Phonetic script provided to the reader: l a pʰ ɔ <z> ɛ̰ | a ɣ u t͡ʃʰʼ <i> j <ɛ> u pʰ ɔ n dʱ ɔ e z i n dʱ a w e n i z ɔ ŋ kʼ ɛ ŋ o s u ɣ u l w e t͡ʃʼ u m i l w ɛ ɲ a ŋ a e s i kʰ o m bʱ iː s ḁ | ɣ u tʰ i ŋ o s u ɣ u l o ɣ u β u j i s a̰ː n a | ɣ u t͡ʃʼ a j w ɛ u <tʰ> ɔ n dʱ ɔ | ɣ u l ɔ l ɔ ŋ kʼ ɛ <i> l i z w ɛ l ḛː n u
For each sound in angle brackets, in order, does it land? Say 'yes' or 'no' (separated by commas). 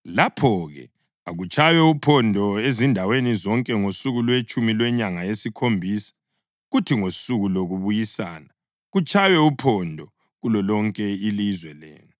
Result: no, no, yes, no, yes